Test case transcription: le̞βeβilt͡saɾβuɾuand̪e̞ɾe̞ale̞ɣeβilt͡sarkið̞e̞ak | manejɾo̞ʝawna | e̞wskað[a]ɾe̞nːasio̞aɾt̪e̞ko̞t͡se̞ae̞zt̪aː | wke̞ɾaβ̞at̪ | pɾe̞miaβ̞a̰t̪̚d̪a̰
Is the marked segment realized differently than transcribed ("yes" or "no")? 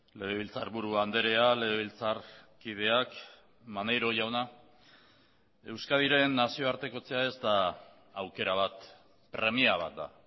yes